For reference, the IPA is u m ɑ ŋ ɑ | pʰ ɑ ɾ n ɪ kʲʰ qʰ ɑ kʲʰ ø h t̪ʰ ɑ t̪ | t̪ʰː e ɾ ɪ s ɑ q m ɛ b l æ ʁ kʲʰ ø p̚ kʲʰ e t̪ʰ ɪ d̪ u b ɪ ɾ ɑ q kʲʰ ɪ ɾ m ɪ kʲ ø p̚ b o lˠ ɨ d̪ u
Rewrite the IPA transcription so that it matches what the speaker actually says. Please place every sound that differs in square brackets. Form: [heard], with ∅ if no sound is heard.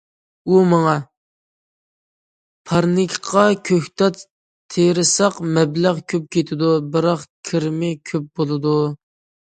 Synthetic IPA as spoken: u m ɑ ŋ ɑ | pʰ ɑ ɾ n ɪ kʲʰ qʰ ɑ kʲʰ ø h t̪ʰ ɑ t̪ | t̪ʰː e ɾ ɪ s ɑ q m ɛ b l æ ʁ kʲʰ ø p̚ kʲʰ e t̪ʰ ɪ d̪ u b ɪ ɾ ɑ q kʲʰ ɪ ɾ m ɪ [kʲʰ] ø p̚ b o lˠ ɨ d̪ u